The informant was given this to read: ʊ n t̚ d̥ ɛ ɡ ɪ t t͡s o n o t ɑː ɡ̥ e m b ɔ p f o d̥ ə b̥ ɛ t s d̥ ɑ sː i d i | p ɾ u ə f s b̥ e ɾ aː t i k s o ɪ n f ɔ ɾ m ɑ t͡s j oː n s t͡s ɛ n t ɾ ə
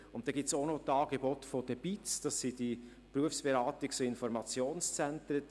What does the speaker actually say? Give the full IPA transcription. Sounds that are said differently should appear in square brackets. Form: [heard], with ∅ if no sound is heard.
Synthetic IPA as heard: ʊ n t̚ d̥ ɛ ɡ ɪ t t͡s o n o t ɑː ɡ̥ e [∅] b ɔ [t] f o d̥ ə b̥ [i] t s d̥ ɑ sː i d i | p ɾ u ə f s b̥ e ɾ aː t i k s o ɪ n f ɔ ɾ m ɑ t͡s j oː n s t͡s ɛ n t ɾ ə